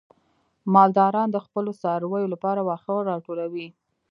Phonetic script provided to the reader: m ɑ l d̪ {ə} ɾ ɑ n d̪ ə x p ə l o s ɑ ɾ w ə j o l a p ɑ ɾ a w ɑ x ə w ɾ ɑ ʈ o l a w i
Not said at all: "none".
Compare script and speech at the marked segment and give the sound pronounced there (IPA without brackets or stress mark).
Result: ɑ